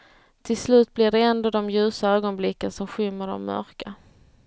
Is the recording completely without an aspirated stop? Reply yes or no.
no